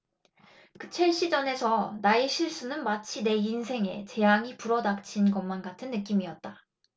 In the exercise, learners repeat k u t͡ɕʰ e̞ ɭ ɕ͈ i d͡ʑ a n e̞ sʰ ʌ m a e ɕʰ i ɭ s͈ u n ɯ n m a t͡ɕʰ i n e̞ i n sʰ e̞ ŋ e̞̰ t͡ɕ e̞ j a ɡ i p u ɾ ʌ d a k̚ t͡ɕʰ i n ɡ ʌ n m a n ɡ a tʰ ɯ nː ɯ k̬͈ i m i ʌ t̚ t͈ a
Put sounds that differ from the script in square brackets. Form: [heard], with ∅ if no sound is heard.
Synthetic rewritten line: k [ɯ] t͡ɕʰ e̞ ɭ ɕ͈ i d͡ʑ [ʌ] n e̞ sʰ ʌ [n] a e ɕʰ i ɭ s͈ u n ɯ n m a t͡ɕʰ i n e̞ i n sʰ e̞ ŋ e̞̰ t͡ɕ e̞ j a [ŋ] i p u ɾ ʌ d a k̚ t͡ɕʰ i n ɡ ʌ n m a n ɡ a tʰ ɯ nː ɯ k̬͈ i m i ʌ t̚ t͈ a